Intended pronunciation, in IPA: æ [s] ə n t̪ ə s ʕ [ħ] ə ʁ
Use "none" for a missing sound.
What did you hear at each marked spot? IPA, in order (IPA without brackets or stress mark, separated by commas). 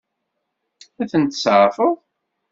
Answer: θ, f